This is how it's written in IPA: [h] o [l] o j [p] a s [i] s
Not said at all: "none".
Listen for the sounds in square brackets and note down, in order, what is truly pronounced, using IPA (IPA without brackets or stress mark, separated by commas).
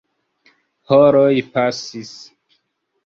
h, ɾ, p, i